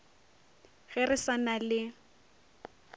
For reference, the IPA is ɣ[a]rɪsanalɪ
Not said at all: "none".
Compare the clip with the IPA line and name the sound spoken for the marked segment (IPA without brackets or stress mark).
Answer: ɛ